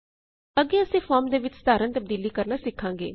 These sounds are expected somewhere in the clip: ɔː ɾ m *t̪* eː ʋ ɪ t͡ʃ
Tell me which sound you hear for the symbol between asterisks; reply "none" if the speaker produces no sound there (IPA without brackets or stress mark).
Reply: d̪